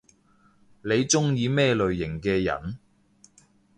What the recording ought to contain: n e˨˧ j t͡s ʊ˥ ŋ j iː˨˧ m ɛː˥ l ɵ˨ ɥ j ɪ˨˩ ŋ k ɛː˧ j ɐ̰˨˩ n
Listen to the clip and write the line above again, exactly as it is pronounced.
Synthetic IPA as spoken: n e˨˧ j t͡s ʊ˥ ŋ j iː˨˧ m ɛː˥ l ɵ˨ ɥ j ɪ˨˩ ŋ k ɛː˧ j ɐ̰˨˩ n